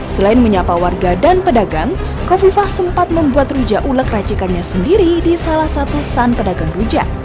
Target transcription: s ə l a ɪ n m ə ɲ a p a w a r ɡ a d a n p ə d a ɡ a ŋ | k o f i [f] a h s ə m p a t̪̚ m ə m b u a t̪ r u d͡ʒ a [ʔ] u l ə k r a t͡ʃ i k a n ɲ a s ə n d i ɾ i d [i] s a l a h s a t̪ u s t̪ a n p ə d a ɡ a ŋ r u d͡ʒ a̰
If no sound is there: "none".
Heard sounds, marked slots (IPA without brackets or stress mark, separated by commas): f, ʔ, i